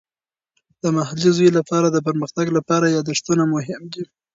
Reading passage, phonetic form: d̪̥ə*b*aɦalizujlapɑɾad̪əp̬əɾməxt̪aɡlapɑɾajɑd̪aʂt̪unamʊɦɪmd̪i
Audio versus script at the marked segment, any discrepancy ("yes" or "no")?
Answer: yes